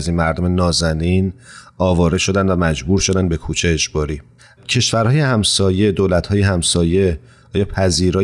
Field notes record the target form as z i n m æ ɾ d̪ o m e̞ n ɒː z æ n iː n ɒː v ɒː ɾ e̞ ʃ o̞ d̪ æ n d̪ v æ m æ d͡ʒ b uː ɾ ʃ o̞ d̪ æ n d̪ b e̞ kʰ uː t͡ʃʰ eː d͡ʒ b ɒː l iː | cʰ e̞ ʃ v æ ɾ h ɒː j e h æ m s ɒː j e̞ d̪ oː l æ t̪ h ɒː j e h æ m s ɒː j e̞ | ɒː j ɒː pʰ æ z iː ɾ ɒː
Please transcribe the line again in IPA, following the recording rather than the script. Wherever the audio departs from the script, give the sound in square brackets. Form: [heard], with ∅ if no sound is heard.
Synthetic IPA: z i n m æ ɾ d̪ o m e̞ n ɒː z æ n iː n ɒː v ɒː ɾ e̞ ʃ o̞ d̪ æ n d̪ v æ m æ d͡ʒ b uː ɾ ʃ o̞ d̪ æ n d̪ b e̞ kʰ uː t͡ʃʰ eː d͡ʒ b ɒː [ɾ] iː | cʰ e̞ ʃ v æ ɾ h ɒː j e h æ m s ɒː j e̞ d̪ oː l æ t̪ h ɒː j e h æ m s ɒː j e̞ | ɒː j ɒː pʰ æ z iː ɾ ɒː